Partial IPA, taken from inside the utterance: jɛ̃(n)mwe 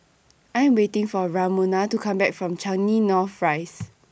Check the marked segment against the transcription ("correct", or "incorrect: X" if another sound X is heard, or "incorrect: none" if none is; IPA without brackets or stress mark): incorrect: none